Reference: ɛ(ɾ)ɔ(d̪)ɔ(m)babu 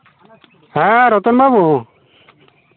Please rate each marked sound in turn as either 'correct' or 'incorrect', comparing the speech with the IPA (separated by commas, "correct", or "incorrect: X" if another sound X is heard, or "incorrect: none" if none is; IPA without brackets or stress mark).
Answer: correct, incorrect: t̪, incorrect: n